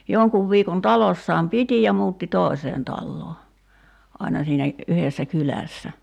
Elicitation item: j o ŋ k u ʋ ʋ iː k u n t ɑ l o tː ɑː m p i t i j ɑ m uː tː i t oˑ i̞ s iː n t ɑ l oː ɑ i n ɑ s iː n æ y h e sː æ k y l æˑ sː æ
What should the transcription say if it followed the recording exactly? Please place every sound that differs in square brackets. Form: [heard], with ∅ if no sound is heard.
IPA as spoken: j o ŋ k u ʋ ʋ iː k [o] n t ɑ l o [sː] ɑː m p i t i j ɑ m uː tː i t oˑ i̞ s [eː] n t ɑ [lː] oː ɑ i n ɑ s iː n æ y h e sː æ k y l æˑ sː æ